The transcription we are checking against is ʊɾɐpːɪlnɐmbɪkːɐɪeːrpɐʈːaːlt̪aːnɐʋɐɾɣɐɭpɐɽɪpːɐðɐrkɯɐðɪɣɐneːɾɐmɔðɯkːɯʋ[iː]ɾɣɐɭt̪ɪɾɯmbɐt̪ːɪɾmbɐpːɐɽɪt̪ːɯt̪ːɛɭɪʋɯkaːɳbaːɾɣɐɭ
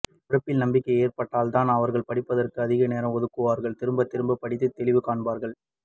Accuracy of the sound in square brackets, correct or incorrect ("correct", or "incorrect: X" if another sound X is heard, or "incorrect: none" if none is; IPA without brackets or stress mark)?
incorrect: aː